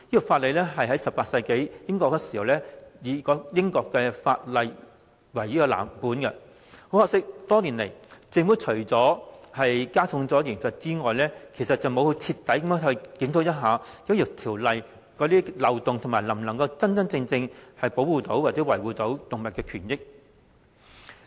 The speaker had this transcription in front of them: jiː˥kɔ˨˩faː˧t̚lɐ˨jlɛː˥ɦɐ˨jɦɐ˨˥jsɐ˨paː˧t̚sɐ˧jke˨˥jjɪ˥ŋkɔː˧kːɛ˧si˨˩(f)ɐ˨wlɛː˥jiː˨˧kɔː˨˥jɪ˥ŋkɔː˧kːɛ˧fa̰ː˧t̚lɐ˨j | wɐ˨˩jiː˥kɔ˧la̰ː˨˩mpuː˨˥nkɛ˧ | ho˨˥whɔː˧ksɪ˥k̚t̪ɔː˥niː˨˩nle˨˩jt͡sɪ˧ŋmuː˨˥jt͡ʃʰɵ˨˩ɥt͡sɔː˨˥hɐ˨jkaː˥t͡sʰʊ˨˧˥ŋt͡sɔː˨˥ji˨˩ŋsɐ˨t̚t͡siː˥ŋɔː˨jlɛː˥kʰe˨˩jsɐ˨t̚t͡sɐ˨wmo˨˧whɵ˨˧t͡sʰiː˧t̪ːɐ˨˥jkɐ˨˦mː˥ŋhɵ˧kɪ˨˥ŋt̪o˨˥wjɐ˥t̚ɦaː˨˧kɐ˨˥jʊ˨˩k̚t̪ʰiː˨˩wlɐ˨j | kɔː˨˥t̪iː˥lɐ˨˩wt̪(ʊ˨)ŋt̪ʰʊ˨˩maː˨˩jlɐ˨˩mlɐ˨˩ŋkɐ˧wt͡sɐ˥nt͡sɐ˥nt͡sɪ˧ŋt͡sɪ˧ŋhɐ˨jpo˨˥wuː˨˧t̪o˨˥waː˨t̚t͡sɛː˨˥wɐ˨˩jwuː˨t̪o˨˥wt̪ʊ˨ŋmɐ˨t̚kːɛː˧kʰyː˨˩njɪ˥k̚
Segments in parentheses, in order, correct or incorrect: incorrect: h, correct

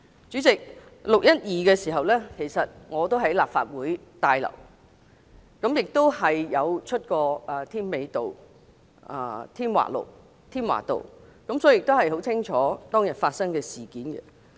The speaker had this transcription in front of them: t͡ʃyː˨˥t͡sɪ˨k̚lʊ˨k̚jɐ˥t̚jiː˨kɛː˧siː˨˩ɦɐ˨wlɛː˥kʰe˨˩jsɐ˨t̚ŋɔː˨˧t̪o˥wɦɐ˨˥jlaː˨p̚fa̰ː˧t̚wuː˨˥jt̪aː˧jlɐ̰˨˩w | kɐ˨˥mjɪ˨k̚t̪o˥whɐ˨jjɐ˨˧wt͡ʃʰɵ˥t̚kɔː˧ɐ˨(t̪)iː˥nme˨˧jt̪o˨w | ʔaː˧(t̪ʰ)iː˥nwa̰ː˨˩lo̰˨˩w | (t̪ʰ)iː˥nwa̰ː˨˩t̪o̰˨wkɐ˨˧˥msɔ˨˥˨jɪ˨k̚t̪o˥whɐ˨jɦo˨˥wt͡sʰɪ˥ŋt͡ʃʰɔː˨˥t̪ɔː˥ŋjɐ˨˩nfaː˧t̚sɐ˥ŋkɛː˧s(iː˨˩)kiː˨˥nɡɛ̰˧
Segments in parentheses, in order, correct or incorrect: incorrect: t̪ʰ, correct, correct, correct

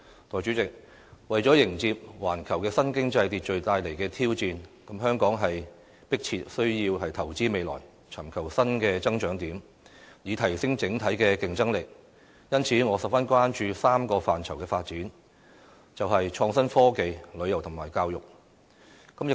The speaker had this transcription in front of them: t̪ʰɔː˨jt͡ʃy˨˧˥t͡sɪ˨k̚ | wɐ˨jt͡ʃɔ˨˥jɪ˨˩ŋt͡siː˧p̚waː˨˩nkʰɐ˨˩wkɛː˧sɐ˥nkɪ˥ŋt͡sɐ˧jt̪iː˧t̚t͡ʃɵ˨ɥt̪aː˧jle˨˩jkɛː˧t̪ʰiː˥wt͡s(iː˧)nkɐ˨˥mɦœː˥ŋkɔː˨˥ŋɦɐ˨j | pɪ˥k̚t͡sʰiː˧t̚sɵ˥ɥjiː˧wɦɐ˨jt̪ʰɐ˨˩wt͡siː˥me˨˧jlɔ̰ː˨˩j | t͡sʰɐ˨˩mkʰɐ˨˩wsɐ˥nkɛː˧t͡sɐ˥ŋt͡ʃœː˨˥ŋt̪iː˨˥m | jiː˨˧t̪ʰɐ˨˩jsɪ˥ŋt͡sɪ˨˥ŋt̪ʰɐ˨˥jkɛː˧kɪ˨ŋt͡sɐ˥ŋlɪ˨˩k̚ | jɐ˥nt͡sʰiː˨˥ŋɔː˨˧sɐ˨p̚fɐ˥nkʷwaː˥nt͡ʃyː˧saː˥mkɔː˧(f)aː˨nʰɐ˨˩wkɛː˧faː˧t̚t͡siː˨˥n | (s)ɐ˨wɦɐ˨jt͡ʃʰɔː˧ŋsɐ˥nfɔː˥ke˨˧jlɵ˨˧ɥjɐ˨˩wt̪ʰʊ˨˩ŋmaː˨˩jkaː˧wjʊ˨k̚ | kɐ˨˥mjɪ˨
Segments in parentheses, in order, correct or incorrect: correct, correct, incorrect: t͡s

